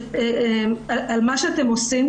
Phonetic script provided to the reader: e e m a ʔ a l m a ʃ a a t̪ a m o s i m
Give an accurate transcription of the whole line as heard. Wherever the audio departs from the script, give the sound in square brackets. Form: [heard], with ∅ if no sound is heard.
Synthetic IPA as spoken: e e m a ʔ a l m a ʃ [e] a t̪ [e] m o s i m